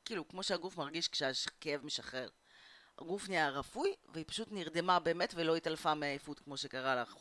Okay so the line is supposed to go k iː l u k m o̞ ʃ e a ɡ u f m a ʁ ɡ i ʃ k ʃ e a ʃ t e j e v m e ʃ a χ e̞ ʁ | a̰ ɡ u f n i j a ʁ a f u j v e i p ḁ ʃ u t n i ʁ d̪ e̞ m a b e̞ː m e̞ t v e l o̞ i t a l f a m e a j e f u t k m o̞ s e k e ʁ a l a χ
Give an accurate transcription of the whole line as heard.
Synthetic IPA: k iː l u k m o̞ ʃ e a ɡ u f m a ʁ ɡ i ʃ k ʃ e a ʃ k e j e v m e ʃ a χ e̞ ʁ | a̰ ɡ u f n i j a ʁ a f u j v e i p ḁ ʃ u t n i ʁ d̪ e̞ m a b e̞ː m e̞ t v e l o̞ i t a l f a m e a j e f u t k m o̞ ʃ e k a ʁ a l a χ